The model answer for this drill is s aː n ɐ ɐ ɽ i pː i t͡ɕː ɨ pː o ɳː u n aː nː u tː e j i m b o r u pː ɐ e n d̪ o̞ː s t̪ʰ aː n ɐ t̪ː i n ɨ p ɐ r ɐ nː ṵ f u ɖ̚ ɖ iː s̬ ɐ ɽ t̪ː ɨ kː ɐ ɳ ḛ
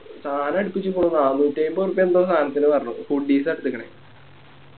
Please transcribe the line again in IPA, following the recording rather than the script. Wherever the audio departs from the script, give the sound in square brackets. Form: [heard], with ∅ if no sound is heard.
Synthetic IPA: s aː n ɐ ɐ ɽ i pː i t͡ɕː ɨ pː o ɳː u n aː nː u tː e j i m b o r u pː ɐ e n d̪ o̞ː s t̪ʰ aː n ɐ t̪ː i n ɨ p ɐ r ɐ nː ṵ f u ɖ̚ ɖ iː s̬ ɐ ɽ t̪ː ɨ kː ɐ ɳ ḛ